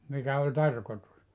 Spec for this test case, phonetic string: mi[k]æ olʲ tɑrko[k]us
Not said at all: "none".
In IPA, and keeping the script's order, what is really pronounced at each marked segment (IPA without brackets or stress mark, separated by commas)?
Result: k, t